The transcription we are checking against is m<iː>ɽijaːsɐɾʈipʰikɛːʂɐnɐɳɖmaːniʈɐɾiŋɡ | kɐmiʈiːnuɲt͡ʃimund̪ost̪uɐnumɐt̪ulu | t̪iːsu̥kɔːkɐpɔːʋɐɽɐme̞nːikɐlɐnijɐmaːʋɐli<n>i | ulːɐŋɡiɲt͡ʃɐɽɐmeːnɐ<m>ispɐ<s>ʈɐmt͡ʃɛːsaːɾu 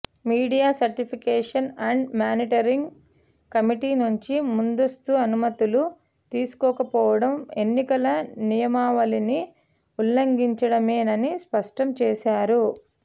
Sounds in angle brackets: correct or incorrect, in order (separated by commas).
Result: correct, correct, incorrect, incorrect